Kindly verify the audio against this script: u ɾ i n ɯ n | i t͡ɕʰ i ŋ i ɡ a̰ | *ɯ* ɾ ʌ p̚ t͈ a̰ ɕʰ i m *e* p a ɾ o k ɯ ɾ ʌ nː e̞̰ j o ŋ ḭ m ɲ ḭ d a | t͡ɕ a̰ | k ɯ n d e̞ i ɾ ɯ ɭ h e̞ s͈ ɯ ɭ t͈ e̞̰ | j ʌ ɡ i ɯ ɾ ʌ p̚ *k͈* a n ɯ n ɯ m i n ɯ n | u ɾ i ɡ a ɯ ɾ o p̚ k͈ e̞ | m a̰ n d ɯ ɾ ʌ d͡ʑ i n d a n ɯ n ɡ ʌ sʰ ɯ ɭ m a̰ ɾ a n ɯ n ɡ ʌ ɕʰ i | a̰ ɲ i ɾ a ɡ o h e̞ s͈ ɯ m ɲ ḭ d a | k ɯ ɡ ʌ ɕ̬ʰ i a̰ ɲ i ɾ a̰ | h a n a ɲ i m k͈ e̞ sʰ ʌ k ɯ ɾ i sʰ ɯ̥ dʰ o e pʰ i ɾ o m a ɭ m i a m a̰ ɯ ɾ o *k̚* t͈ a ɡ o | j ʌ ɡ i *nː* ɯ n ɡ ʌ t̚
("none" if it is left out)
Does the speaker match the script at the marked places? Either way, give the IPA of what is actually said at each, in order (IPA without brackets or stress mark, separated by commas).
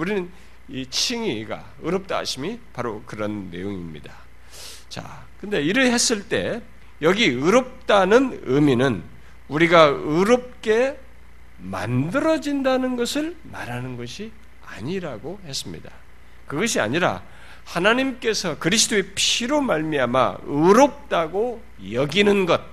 ɯ, i, t͈, p̚, n